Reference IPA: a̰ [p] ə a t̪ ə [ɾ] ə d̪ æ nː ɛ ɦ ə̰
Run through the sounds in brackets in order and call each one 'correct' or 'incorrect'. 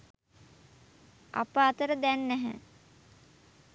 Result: correct, correct

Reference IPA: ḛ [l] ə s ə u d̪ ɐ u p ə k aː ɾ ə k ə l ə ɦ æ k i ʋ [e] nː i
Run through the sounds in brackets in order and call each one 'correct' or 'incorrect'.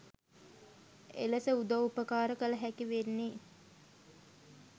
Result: correct, correct

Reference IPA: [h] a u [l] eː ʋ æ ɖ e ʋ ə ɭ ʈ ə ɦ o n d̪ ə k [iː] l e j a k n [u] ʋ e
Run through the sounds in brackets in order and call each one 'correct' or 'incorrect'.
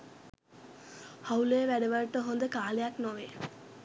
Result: correct, correct, incorrect: aː, incorrect: o

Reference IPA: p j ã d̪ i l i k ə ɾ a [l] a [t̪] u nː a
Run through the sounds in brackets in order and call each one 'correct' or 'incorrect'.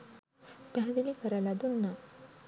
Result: correct, incorrect: d̪

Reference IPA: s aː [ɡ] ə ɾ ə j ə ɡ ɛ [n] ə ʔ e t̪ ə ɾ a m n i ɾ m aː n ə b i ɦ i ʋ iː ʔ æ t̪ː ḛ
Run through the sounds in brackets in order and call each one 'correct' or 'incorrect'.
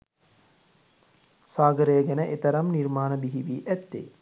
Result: correct, correct

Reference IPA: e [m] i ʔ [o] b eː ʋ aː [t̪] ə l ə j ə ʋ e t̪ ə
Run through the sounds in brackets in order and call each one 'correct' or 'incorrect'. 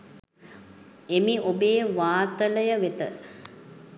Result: correct, correct, correct

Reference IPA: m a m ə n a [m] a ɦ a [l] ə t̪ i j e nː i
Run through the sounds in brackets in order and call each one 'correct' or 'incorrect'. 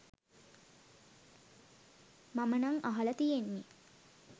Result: incorrect: ŋ, correct

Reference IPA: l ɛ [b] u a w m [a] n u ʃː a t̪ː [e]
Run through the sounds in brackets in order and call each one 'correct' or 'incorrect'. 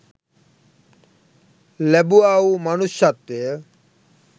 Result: correct, correct, correct

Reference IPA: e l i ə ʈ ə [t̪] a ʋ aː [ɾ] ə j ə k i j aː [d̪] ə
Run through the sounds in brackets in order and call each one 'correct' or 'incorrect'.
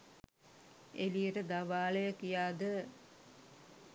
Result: incorrect: d̪, incorrect: l, correct

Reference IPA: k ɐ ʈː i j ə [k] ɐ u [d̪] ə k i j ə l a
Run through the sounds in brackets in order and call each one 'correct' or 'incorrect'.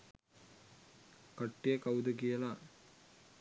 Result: correct, correct

